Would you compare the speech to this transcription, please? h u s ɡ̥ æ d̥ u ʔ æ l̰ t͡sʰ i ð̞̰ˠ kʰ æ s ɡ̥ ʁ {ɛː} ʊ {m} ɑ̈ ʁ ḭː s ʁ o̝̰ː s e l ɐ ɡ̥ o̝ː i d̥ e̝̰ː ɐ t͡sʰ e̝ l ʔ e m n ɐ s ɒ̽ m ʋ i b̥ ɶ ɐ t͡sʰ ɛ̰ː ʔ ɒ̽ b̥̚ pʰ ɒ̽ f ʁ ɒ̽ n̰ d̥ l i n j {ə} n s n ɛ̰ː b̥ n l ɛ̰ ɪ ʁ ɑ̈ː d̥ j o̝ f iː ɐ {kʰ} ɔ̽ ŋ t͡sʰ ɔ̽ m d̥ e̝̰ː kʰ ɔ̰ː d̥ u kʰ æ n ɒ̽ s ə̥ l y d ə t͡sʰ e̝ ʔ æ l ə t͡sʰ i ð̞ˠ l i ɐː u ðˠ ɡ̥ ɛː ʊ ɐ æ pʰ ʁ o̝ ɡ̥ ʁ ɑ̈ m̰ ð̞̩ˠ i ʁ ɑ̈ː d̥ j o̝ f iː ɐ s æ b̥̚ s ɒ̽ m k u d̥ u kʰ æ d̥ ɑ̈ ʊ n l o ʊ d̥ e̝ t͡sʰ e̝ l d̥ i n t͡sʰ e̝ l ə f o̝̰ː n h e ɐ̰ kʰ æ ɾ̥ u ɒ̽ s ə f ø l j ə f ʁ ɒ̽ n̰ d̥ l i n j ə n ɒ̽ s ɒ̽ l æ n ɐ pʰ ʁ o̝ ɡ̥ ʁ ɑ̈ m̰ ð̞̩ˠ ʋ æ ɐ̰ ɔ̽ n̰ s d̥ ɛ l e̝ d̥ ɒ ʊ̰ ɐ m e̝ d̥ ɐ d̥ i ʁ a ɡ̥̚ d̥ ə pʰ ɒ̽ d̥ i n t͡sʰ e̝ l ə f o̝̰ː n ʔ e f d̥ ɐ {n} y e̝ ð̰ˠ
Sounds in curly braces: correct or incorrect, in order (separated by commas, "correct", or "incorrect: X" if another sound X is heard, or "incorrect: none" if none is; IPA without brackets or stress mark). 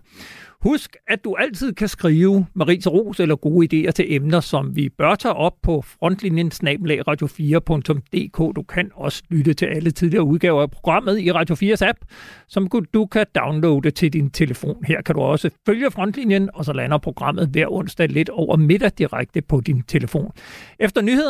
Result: incorrect: iː, correct, correct, incorrect: pʰ, correct